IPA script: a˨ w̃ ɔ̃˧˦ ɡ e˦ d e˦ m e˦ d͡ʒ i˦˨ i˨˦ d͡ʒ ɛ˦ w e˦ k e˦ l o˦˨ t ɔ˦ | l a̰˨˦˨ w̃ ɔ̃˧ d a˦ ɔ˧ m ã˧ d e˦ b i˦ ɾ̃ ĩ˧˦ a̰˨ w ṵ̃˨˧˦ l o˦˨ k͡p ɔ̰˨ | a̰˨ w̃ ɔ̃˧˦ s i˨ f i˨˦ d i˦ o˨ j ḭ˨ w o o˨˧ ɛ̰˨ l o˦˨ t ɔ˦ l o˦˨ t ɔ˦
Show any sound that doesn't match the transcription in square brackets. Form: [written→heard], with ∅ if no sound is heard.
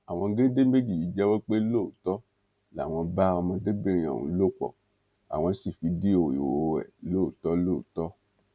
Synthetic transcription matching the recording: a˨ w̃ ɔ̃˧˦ ɡ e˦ d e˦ m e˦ d͡ʒ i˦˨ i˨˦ d͡ʒ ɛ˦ w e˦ [k→k͡p] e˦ l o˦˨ t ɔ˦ | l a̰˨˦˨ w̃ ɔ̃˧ [d→b] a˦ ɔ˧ m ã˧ d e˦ b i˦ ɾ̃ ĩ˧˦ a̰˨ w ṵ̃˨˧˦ l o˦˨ k͡p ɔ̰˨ | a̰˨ w̃ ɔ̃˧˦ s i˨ f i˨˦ d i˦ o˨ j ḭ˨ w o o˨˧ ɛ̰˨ l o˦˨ t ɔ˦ l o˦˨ t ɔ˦